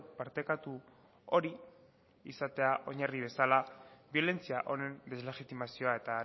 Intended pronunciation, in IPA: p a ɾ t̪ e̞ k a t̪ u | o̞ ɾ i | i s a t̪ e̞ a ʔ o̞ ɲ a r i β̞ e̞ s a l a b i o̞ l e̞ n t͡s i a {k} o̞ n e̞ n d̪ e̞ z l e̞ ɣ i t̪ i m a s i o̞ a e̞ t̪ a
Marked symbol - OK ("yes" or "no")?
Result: no